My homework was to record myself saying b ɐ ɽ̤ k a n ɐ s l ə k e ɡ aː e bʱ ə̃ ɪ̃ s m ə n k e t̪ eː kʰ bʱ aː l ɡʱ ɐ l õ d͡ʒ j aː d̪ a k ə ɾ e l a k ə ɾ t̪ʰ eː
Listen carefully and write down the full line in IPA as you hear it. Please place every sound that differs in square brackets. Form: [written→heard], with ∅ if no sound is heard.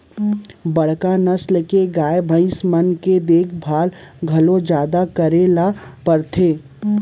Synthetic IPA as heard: b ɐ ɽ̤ k a n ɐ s l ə k e ɡ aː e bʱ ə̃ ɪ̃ s m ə n k e [t̪→d̪] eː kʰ bʱ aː l ɡʱ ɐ l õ d͡ʒ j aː d̪ a k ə ɾ e l a [k→p] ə ɾ t̪ʰ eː